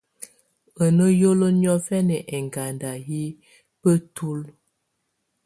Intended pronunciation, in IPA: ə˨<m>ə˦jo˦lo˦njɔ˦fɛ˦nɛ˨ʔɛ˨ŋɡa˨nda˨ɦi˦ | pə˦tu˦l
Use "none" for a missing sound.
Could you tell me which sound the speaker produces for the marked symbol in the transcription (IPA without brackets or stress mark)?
n